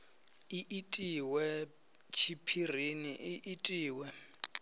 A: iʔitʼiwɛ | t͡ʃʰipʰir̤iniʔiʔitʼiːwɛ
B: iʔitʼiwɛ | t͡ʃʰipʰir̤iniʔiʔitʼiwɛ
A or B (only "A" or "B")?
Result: A